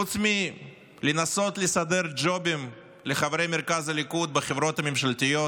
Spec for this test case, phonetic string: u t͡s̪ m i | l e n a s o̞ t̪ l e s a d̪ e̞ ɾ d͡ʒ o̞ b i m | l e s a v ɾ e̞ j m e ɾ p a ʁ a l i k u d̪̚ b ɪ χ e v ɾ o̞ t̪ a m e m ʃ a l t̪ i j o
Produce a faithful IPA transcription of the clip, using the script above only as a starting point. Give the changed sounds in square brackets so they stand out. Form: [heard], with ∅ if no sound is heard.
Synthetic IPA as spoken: u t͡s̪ m i | l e n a s o̞ t̪ l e s a d̪ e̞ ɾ d͡ʒ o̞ b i m | l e [χ] a v ɾ e̞ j m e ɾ [k] a [z] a l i k u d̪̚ b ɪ χ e v ɾ o̞ t̪ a m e m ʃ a l t̪ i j o